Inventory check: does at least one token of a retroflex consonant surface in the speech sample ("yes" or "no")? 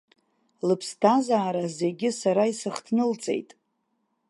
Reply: no